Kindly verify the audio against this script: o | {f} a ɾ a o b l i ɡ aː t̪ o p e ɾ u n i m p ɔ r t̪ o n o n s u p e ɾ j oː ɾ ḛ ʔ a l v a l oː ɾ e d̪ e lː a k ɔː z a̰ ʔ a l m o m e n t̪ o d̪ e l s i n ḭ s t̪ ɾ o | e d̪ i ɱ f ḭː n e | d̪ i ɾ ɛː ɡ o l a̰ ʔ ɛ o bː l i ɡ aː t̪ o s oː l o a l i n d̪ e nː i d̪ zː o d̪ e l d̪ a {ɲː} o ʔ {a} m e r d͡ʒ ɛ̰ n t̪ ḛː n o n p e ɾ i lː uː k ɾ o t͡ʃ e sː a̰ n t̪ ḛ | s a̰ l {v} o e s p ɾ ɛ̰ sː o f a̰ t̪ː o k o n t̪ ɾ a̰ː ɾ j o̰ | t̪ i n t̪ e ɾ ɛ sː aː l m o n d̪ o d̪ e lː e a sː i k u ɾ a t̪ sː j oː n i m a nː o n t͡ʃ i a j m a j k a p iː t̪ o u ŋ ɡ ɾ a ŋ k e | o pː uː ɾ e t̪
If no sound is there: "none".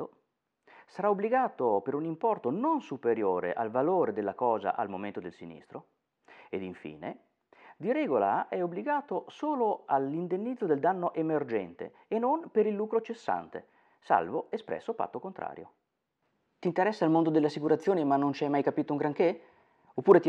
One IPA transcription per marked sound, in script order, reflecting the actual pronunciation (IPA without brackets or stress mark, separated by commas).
s, nː, e, v